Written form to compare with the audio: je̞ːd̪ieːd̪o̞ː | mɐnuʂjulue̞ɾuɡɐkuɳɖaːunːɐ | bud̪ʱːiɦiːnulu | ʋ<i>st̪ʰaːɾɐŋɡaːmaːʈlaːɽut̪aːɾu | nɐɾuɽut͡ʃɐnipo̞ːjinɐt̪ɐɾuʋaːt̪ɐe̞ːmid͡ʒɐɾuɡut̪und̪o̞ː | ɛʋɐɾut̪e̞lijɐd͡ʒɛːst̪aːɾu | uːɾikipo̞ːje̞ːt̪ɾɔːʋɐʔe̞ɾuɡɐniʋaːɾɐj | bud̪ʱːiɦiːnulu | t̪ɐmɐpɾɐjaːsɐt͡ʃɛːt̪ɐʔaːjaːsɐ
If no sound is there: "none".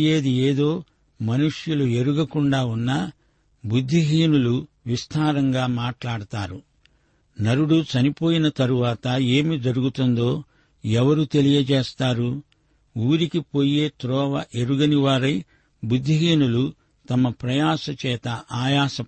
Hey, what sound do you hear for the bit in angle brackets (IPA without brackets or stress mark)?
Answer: i